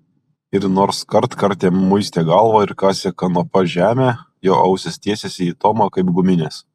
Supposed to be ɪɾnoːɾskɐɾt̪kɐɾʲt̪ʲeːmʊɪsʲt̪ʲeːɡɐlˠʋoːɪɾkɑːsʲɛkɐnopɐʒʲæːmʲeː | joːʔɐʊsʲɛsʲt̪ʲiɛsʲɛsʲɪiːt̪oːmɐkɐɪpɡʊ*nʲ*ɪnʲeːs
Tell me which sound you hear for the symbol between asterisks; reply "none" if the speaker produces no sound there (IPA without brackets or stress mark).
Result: mʲ